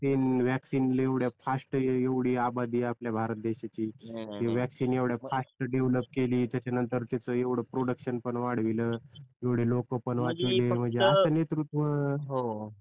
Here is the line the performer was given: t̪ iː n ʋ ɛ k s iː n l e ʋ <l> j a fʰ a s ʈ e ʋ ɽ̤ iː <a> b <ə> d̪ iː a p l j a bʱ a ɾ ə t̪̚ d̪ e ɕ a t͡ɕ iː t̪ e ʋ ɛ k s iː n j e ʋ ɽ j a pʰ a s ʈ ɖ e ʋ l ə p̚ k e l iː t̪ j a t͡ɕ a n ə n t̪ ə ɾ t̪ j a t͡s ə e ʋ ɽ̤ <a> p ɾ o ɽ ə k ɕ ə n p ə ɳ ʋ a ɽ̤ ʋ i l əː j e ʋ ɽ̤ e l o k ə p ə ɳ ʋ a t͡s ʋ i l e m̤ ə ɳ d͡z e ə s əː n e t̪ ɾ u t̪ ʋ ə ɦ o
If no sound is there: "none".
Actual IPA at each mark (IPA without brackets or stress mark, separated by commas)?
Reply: ɽ, a, a, ə